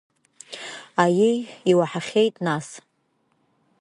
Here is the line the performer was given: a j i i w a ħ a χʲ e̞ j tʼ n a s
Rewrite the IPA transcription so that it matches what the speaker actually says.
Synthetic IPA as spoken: a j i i w a ħ a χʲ e̞ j tʼ n a s